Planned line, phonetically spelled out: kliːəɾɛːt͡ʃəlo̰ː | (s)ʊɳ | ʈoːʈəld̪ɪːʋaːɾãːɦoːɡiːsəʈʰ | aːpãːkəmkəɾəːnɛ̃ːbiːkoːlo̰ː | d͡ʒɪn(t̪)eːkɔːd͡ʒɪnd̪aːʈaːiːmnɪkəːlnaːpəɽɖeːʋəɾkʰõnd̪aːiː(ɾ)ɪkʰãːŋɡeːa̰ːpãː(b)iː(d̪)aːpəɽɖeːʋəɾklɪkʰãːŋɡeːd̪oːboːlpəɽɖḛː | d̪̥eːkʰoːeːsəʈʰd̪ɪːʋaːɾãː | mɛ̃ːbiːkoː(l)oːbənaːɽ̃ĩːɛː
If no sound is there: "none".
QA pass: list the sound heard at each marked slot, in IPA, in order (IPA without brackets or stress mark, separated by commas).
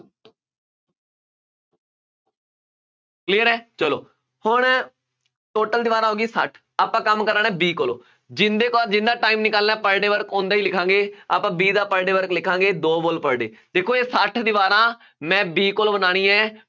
h, d̪, l, b, d̪, l